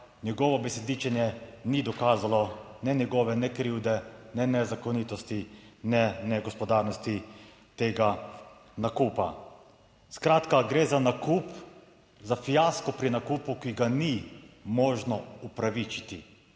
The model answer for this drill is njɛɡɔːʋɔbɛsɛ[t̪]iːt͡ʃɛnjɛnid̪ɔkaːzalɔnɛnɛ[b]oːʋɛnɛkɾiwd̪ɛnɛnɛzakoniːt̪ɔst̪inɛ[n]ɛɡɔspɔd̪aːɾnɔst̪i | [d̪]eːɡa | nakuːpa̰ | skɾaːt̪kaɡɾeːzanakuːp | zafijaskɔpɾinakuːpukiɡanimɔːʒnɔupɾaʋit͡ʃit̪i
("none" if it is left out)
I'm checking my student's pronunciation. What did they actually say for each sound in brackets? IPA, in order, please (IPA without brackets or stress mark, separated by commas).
d̪, ɡ, n, t̪